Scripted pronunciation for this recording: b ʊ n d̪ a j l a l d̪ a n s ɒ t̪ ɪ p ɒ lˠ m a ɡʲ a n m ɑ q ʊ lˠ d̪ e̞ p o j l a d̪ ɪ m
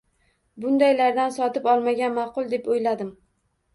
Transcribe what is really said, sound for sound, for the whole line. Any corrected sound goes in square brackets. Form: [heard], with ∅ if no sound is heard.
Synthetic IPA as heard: b ʊ n d̪ a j l a [ɾ] d̪ a n s ɒ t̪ ɪ p ɒ lˠ m a ɡʲ a n m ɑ q ʊ lˠ d̪ e̞ p o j l a d̪ ɪ m